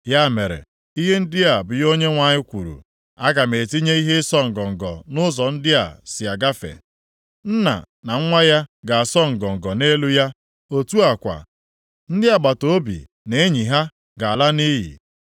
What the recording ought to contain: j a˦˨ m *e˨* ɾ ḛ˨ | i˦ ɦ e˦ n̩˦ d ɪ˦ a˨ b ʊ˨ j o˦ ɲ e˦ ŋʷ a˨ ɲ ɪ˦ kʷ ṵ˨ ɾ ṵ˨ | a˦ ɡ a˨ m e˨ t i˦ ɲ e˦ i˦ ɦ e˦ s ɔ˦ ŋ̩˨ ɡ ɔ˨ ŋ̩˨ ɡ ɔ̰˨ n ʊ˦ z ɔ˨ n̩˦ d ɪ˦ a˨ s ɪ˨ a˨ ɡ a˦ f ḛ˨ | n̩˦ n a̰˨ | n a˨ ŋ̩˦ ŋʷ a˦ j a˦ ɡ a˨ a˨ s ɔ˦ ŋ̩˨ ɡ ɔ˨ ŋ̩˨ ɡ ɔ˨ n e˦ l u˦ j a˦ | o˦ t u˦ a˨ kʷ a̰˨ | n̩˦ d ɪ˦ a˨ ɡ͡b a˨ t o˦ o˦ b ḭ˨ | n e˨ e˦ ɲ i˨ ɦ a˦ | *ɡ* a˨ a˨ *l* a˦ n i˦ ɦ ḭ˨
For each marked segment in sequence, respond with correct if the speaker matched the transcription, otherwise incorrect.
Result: correct, correct, correct

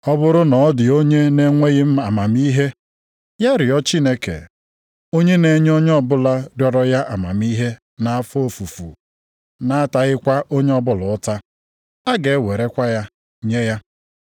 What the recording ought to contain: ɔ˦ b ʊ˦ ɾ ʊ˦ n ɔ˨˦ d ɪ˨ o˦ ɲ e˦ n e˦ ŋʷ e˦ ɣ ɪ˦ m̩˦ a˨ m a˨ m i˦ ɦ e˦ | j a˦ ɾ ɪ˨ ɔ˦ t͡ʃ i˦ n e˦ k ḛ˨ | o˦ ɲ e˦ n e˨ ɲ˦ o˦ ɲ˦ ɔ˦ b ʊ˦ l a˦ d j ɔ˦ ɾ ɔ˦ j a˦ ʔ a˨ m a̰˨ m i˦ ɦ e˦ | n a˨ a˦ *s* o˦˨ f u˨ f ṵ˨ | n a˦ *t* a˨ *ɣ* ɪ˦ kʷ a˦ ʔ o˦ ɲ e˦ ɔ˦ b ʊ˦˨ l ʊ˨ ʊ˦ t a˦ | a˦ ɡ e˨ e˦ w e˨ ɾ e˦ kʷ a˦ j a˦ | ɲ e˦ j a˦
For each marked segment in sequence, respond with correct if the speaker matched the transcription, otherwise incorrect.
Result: incorrect, correct, correct

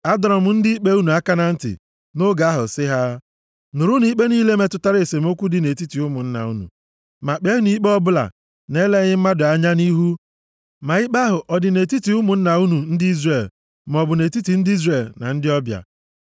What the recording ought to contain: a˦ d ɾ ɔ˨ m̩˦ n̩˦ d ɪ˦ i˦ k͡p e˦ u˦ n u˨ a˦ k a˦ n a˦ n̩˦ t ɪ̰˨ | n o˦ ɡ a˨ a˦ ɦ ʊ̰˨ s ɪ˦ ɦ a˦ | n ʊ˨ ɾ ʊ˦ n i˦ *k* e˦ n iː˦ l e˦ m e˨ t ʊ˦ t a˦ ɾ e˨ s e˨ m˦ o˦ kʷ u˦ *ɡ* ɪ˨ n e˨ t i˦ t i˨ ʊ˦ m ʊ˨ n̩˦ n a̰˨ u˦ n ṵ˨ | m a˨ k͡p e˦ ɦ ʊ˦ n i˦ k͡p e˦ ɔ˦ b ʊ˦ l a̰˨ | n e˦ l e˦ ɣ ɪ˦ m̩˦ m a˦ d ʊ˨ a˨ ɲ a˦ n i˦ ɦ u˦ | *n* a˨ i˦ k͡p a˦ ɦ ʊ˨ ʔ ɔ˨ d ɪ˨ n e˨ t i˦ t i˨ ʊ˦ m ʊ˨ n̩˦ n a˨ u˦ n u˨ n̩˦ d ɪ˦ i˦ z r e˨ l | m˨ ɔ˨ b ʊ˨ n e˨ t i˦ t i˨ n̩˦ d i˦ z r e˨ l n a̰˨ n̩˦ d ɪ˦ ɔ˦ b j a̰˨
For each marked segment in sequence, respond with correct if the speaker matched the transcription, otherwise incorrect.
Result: incorrect, incorrect, incorrect

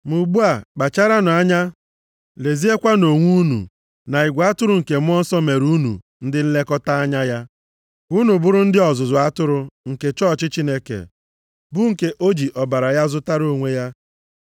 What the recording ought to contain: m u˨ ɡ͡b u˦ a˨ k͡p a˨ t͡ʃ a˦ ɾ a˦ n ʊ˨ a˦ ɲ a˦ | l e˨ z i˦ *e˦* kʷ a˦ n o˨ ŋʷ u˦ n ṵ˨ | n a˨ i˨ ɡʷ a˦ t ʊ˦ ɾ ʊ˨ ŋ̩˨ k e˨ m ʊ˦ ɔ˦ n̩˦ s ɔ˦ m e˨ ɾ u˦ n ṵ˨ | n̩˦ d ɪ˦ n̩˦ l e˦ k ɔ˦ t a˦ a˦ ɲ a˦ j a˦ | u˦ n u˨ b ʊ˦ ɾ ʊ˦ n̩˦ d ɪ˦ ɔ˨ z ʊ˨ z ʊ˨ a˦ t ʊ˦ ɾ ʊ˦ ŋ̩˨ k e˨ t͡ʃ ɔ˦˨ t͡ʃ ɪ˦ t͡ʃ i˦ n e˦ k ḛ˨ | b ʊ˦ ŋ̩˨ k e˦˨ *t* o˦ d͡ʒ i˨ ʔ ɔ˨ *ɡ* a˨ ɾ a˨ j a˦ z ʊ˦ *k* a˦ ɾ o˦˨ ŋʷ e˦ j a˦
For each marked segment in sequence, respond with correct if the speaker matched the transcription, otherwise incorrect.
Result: correct, incorrect, incorrect, incorrect

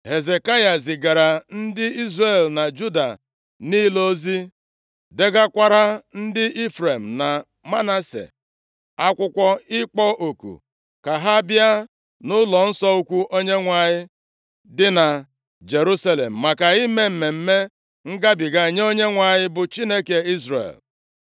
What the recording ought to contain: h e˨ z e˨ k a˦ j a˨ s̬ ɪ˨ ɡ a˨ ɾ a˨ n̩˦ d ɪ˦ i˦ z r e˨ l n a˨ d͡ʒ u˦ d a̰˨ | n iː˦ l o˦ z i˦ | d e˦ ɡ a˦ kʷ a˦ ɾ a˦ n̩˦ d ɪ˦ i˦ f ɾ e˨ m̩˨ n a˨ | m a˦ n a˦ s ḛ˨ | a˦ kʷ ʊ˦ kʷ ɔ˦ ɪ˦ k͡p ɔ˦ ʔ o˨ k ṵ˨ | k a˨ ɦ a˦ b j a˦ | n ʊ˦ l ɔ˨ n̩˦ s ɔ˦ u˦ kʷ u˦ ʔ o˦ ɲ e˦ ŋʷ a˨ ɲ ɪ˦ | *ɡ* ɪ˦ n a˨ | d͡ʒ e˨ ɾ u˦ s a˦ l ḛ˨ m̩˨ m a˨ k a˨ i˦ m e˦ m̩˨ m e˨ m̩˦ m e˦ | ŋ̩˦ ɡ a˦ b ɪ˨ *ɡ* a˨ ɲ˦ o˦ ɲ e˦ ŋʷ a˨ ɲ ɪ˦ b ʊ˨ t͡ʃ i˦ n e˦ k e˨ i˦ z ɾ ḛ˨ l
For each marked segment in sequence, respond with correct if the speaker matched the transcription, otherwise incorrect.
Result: incorrect, correct

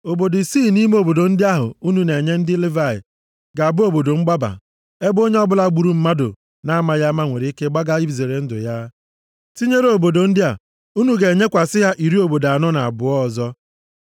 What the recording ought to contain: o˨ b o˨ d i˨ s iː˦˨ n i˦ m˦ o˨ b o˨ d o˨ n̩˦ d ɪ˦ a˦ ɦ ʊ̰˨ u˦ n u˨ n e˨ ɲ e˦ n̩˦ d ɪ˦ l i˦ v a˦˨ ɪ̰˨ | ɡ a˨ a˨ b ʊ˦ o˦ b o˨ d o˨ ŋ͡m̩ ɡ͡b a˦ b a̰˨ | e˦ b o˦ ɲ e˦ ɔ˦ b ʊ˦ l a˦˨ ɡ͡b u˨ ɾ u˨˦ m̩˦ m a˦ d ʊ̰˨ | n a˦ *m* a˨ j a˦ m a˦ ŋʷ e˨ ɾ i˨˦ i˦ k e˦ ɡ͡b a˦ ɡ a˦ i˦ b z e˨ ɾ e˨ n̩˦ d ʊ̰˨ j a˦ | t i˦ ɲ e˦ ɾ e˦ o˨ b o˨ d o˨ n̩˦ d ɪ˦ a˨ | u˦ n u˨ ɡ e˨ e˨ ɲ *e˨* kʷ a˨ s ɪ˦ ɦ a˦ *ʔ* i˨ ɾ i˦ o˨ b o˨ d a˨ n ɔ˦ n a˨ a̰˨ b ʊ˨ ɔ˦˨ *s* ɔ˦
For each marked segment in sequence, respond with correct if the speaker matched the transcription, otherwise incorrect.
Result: correct, incorrect, correct, incorrect

